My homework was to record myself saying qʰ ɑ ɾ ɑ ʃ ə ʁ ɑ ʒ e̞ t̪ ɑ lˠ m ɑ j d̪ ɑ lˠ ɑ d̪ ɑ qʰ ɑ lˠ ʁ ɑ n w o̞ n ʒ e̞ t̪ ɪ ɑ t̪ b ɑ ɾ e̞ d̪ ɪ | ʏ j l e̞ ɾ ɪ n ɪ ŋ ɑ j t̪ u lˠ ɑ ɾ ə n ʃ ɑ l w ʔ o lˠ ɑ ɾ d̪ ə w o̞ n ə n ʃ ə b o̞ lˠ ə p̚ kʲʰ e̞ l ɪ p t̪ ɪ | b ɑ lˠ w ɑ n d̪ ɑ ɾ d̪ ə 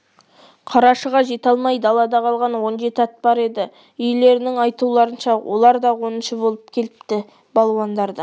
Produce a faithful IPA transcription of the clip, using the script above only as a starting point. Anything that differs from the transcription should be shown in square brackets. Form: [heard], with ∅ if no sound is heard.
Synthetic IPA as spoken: qʰ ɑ ɾ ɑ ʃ ə ʁ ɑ ʒ e̞ t̪ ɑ lˠ m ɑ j d̪ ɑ lˠ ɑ d̪ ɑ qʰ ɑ lˠ ʁ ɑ n w o̞ n ʒ e̞ t̪ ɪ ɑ t̪ b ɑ ɾ e̞ d̪ ɪ | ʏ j l e̞ ɾ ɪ n ɪ ŋ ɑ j t̪ u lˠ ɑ ɾ ə n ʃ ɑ [∅] w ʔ o lˠ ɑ ɾ d̪ [ɑ] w o̞ n ə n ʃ ə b o̞ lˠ ə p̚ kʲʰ e̞ l ɪ p t̪ ɪ | b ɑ lˠ w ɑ n d̪ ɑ ɾ d̪ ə